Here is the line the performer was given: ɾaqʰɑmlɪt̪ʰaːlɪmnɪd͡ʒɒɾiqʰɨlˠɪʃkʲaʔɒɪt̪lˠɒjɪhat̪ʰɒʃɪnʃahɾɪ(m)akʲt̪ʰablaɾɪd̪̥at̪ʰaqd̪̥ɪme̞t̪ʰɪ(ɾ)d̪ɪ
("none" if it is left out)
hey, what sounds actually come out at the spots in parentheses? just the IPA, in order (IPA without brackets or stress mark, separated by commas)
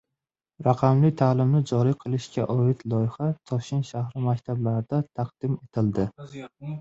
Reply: m, l